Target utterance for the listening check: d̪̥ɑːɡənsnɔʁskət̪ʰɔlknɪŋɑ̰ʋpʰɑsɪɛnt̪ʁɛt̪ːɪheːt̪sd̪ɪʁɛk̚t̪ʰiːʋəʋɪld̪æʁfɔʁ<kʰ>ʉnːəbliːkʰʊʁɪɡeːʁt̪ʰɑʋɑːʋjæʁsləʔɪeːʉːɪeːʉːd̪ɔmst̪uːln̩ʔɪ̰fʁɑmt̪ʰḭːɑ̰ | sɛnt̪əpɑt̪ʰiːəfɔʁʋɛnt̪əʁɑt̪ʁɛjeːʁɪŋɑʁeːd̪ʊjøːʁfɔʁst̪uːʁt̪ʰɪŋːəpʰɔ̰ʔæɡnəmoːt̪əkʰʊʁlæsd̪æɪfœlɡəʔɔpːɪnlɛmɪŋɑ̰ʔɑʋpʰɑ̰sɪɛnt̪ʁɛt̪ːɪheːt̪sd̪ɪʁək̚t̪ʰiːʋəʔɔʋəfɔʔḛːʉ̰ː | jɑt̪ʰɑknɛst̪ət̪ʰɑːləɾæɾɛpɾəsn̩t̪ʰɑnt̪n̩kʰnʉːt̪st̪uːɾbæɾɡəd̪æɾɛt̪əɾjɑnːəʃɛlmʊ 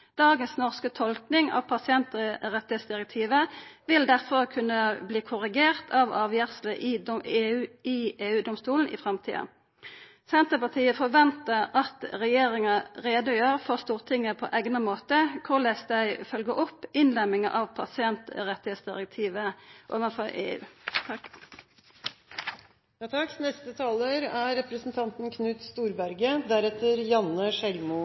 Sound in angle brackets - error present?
no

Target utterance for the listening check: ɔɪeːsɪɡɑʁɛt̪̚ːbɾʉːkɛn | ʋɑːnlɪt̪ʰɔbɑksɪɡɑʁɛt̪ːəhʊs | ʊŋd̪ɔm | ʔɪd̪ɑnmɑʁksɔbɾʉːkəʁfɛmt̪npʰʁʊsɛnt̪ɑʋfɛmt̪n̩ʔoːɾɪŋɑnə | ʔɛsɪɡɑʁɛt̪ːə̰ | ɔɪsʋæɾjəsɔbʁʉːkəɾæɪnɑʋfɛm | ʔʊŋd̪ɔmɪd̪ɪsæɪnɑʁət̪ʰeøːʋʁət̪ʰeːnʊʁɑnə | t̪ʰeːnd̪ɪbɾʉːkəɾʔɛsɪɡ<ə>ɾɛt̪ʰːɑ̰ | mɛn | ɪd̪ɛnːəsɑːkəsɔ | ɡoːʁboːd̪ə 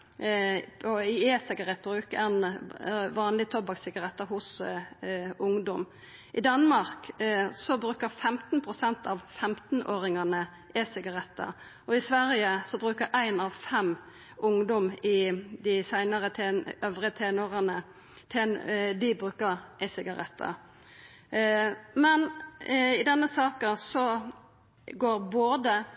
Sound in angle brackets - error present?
yes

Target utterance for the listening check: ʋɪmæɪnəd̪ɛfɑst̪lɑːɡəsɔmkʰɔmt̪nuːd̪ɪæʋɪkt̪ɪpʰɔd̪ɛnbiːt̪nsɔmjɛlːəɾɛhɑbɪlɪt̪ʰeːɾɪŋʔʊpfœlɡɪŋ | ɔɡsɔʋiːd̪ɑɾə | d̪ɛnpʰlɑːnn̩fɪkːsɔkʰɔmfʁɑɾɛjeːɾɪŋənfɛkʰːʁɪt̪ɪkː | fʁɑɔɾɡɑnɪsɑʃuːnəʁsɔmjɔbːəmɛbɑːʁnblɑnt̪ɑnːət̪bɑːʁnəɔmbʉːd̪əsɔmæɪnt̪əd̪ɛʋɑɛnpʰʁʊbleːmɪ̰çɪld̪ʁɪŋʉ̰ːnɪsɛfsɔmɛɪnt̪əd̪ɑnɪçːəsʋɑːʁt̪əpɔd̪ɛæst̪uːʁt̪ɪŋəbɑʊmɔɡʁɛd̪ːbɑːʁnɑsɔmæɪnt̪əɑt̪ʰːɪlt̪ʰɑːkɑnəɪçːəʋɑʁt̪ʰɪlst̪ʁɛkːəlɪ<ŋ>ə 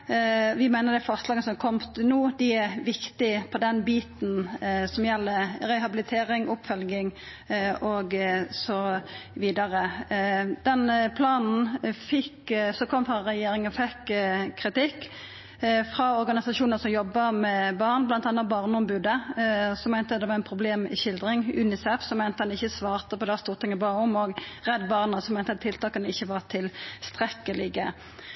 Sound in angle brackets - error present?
yes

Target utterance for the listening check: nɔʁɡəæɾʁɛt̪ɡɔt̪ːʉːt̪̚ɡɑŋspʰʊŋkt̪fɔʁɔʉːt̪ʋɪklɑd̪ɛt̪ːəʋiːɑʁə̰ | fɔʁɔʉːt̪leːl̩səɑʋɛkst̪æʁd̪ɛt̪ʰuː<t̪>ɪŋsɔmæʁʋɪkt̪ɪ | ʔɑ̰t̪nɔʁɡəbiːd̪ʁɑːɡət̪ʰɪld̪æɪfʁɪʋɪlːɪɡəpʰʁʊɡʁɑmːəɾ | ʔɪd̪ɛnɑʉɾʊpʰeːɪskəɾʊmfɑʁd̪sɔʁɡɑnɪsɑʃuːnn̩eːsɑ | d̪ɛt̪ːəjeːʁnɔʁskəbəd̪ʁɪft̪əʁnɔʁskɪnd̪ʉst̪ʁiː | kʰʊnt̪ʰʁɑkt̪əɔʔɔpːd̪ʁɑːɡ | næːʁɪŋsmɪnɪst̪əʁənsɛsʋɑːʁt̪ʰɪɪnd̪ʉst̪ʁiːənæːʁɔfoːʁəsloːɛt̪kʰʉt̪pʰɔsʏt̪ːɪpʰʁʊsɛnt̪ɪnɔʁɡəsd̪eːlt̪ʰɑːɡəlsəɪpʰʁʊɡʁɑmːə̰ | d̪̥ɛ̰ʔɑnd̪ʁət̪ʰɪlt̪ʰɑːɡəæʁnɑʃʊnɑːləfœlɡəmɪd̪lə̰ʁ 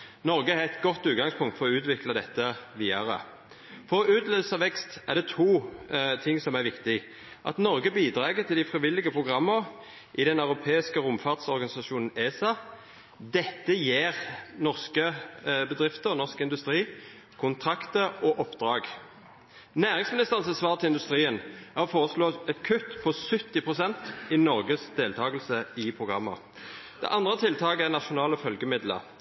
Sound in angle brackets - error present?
yes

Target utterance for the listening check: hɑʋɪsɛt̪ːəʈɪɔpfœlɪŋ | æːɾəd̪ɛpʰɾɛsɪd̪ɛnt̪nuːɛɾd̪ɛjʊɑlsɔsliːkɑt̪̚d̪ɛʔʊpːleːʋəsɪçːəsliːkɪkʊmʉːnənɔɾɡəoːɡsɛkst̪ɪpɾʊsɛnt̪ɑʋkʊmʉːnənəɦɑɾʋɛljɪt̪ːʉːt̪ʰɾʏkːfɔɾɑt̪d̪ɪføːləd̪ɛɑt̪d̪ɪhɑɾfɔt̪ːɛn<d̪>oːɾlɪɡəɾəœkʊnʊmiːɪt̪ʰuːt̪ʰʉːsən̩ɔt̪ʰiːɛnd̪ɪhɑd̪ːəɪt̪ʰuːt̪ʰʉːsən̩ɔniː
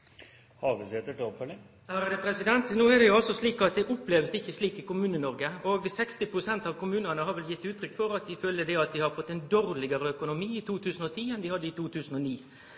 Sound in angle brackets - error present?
no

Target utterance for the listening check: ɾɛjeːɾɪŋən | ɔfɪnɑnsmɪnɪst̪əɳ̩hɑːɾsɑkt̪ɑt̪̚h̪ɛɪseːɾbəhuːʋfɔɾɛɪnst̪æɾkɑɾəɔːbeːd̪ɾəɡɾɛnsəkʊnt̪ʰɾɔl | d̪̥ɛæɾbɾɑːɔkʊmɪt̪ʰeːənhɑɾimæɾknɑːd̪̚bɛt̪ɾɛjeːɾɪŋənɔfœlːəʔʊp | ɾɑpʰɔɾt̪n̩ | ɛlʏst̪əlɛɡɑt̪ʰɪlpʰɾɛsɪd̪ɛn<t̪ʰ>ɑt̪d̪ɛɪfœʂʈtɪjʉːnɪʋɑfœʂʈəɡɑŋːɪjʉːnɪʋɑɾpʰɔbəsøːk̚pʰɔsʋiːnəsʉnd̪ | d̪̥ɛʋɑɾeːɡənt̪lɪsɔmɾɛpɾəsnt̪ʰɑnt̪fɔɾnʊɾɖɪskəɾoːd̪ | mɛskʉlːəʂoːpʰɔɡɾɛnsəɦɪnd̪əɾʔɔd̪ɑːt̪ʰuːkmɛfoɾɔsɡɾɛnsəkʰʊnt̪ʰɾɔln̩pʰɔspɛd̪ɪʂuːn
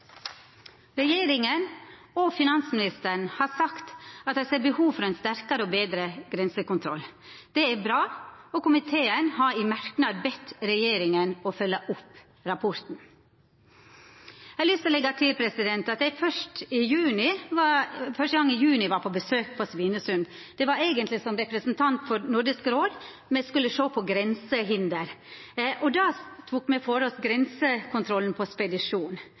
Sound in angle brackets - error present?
yes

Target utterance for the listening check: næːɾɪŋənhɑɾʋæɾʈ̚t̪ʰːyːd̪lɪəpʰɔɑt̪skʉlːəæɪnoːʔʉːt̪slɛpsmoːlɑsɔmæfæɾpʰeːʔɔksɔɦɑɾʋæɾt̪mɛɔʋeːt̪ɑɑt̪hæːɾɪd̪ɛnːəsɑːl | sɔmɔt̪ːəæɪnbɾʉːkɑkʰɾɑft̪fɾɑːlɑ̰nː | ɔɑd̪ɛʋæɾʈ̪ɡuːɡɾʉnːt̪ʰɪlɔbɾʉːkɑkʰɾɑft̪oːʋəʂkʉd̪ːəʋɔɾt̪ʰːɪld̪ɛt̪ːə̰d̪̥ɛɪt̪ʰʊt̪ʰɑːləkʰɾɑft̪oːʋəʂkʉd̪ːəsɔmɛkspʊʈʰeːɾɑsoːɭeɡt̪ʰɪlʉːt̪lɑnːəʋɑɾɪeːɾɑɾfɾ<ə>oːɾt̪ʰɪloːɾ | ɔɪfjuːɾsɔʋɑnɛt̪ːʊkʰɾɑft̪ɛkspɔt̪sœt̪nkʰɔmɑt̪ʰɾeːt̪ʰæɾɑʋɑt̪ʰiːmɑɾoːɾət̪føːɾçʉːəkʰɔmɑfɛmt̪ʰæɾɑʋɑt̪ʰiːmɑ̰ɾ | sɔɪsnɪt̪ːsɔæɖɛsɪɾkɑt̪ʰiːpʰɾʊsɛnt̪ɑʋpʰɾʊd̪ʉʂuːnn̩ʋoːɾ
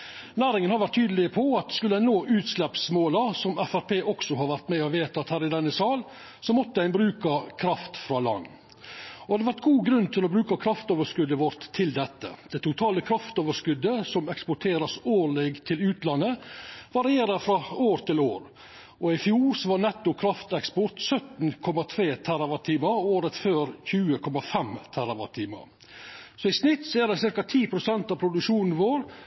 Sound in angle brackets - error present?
yes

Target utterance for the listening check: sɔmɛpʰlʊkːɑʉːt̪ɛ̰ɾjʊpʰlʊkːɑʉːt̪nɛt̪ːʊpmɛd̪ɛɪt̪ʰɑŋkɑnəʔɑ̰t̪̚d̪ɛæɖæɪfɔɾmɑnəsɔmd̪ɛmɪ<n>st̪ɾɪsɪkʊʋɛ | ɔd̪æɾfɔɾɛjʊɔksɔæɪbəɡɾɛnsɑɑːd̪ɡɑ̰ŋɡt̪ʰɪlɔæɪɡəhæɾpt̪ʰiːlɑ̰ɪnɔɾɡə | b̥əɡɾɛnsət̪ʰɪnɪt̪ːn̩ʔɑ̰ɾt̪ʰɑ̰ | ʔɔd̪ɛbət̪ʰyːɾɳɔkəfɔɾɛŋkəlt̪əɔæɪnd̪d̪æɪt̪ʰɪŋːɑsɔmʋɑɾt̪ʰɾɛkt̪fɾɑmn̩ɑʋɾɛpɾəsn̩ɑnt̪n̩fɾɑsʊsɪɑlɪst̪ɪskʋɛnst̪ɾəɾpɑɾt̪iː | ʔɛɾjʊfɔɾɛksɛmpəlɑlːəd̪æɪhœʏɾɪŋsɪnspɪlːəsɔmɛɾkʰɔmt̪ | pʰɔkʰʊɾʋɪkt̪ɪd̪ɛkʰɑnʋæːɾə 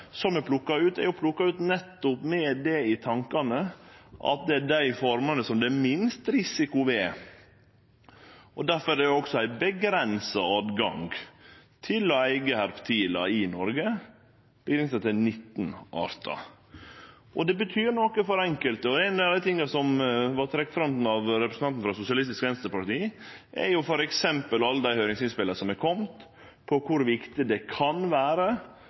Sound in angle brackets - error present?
no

